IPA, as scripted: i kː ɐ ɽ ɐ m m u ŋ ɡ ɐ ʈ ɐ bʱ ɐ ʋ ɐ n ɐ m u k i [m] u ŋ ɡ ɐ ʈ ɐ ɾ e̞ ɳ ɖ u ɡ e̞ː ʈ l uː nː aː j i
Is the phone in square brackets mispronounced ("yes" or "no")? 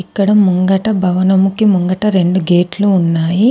no